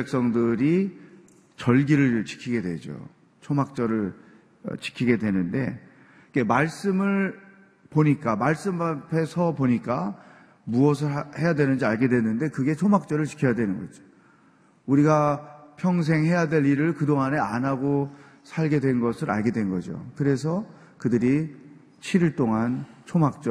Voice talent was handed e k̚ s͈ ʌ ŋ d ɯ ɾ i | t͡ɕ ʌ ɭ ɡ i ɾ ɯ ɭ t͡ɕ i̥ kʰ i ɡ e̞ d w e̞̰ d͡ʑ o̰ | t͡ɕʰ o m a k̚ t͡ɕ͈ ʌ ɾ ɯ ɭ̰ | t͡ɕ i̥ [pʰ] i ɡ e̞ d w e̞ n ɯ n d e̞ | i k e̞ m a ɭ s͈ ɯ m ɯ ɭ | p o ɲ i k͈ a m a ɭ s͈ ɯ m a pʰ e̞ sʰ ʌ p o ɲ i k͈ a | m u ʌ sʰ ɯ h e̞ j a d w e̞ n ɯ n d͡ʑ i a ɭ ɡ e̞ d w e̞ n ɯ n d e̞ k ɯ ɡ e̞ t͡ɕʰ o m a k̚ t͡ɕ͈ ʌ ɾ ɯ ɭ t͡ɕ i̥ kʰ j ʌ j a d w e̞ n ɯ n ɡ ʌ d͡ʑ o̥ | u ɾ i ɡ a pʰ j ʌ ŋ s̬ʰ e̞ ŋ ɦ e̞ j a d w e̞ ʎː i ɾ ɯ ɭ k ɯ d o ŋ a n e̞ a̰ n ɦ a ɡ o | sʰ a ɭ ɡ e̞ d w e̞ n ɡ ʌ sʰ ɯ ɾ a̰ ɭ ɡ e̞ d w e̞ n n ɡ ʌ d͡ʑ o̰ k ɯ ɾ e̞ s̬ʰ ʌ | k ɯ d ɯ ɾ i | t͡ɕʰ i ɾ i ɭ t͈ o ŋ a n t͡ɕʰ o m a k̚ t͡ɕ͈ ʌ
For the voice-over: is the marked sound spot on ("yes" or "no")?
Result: no